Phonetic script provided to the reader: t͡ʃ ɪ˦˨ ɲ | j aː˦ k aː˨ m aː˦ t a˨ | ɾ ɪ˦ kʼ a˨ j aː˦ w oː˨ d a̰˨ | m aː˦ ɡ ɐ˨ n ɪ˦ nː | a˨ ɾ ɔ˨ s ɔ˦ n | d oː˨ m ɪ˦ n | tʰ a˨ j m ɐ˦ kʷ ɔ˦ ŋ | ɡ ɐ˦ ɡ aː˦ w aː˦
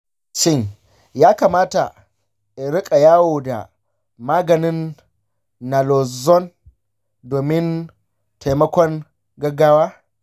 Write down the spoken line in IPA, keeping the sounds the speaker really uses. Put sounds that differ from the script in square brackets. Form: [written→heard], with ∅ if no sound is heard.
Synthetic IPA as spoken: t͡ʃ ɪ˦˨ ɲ | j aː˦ k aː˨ m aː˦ t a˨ | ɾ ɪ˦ kʼ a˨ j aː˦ w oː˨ d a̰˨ | m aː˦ ɡ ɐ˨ n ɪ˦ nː | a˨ [ɾ→l] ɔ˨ [s→z] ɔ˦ n | d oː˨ m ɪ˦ n | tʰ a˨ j m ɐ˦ kʷ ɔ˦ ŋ | ɡ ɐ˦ ɡ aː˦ w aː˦